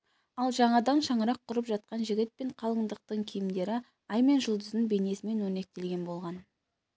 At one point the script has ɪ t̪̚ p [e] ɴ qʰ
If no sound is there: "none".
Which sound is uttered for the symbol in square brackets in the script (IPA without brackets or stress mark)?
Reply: e